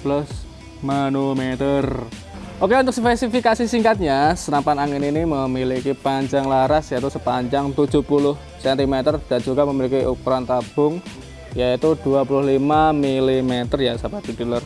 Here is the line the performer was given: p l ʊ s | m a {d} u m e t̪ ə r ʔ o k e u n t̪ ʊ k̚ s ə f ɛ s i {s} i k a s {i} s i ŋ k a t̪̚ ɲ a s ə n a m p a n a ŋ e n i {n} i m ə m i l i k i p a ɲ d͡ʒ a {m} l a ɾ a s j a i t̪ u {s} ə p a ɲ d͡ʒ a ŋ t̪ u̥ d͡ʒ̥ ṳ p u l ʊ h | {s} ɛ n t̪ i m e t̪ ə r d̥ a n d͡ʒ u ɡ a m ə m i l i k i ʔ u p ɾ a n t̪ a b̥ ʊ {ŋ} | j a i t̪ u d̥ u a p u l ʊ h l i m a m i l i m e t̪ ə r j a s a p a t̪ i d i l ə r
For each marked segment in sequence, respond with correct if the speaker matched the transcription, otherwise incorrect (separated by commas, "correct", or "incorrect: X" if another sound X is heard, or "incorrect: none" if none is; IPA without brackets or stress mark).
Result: incorrect: n, incorrect: f, correct, correct, incorrect: ŋ, correct, correct, correct